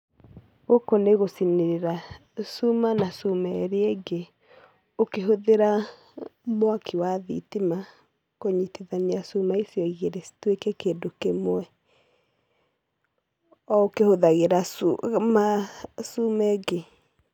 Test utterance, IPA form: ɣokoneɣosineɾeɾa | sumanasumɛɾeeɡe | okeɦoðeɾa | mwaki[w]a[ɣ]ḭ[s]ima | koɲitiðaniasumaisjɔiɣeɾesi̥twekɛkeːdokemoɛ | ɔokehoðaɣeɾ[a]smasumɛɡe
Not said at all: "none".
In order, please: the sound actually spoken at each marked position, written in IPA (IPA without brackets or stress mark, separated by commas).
w, ð, t, a